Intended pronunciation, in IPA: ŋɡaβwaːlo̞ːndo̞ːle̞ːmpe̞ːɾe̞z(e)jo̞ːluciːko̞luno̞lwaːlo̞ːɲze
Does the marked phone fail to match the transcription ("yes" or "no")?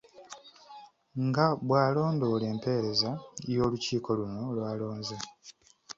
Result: yes